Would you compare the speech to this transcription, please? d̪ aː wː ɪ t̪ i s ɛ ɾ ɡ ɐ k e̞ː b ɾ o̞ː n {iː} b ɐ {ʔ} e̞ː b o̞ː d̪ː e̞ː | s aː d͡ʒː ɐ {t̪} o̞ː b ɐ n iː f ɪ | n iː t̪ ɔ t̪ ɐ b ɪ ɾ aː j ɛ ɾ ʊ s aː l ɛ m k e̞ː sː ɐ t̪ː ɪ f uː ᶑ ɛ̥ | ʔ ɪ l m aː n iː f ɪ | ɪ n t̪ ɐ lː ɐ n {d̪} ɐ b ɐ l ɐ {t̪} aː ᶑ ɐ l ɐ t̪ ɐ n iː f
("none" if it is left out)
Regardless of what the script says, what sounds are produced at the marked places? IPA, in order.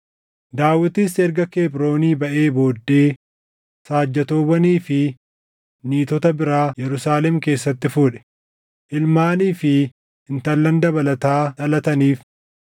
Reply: iː, ʔ, t̪, d̪, t̪

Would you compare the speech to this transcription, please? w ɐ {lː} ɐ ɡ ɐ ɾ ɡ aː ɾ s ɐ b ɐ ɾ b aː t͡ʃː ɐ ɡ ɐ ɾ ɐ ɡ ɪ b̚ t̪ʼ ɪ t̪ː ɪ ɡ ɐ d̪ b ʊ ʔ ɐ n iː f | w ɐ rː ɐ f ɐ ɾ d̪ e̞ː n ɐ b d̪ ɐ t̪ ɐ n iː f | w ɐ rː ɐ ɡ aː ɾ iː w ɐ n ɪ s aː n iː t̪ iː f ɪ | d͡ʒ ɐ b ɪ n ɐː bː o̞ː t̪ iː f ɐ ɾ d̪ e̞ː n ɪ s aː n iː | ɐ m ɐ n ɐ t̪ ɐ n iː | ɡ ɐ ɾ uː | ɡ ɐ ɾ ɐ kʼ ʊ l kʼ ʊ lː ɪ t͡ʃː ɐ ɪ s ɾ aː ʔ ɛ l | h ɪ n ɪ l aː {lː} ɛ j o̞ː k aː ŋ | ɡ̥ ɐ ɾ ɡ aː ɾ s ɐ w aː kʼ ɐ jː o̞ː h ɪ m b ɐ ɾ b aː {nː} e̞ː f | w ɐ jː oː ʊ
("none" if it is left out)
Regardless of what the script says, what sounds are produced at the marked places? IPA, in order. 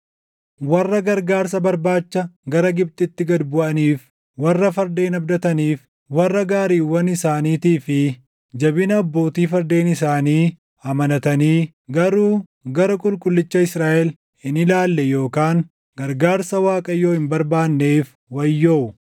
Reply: rː, lː, nː

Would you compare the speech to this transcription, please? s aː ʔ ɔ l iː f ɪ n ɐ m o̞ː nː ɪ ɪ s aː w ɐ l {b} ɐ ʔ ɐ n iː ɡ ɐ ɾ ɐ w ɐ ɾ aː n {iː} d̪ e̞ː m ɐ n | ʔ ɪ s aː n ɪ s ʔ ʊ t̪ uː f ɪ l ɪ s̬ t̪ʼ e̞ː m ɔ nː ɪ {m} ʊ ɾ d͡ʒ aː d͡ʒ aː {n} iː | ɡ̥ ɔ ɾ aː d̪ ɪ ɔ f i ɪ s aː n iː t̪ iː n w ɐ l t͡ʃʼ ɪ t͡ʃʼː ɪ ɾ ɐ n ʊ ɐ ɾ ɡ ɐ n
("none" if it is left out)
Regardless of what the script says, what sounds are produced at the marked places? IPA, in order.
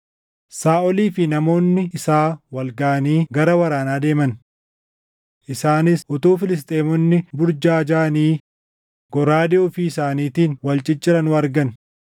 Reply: ɡ, aː, b, n

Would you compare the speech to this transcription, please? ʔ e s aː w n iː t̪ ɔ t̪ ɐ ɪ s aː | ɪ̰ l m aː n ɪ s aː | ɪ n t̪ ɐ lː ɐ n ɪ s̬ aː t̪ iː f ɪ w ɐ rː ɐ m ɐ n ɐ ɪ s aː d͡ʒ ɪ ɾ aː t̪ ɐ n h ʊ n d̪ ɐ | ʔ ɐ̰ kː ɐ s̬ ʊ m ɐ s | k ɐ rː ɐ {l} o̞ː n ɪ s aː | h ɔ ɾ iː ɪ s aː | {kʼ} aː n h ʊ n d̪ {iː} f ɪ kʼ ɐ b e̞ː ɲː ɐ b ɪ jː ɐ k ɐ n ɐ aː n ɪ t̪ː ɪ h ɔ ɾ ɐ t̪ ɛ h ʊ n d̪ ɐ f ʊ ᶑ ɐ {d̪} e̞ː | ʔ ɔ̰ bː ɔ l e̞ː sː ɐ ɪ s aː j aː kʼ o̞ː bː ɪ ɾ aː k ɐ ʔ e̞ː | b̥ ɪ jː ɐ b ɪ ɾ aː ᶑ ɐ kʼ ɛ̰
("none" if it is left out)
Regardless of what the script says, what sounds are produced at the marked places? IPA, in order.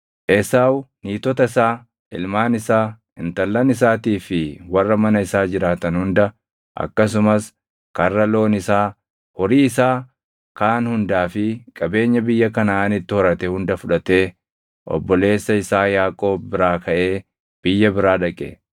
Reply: l, k, aː, t̪

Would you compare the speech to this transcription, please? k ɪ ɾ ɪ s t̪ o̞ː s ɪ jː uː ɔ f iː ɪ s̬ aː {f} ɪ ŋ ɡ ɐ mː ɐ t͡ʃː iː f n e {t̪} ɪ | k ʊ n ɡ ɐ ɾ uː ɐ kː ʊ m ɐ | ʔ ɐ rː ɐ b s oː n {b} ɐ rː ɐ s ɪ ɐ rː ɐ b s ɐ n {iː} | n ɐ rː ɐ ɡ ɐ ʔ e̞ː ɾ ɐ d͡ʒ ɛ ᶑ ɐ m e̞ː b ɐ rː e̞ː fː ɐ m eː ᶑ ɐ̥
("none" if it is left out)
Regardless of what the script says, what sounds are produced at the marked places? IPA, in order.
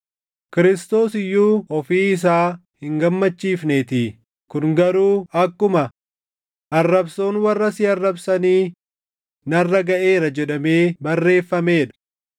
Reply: h, t̪, w, iː

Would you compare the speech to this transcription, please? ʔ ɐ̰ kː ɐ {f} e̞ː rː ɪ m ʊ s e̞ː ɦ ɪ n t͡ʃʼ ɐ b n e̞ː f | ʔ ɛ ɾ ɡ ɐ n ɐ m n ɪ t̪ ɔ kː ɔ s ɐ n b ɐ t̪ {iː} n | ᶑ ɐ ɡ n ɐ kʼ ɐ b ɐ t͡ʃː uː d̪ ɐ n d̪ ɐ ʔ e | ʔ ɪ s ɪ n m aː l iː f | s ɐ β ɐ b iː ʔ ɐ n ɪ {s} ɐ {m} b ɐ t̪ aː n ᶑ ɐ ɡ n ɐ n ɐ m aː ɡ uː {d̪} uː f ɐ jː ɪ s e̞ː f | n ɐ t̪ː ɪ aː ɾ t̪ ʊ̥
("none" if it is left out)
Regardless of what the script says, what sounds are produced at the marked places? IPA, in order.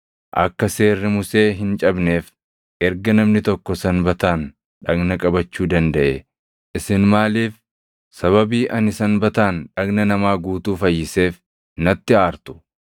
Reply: s, aː, s, n, t̪

